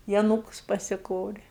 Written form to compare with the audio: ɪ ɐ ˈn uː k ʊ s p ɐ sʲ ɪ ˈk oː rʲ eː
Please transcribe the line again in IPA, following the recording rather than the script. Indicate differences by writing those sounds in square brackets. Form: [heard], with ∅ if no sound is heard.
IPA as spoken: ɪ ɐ ˈn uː k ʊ s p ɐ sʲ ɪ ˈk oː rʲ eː